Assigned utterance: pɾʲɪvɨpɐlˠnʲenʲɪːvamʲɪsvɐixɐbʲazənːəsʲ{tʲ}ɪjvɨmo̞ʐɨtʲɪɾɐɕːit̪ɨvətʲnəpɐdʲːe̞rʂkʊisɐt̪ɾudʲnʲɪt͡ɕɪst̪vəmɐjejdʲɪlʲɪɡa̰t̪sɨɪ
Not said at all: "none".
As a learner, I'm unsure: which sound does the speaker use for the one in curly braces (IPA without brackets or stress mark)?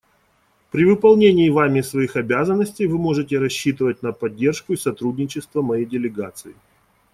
tʲ